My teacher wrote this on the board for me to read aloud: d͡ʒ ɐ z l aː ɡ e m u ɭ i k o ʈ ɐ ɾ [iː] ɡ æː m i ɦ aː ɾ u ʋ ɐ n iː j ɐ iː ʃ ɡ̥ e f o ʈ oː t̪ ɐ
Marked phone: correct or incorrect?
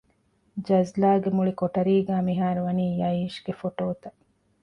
correct